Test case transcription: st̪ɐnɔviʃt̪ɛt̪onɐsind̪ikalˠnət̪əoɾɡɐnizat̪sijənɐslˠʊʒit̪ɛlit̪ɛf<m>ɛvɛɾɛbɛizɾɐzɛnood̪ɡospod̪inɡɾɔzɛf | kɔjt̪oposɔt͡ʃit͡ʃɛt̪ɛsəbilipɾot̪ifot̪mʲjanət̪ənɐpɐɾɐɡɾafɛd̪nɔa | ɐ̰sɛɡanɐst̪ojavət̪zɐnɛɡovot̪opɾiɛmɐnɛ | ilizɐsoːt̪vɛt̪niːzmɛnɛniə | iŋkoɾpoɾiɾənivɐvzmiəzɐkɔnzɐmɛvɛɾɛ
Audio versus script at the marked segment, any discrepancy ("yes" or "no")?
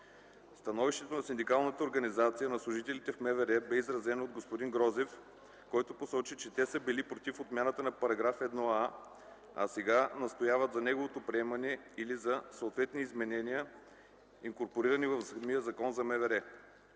no